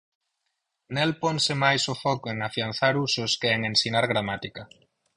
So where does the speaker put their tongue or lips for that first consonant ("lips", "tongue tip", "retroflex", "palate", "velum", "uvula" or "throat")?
tongue tip